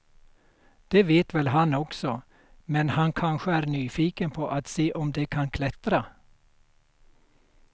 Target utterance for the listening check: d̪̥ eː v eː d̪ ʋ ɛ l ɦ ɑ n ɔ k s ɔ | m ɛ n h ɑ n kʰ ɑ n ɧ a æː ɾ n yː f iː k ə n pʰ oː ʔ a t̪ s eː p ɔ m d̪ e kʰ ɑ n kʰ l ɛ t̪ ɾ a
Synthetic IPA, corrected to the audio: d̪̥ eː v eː t̪ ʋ ɛ l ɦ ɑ n ɔ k s ɔ | m ɛ n h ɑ n kʰ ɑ n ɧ ə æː ɾ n yː f iː k ə n pʰ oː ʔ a t̪ s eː ʔ ɔ m d̪ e kʰ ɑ n kʰ l ɛ t̪ ɾ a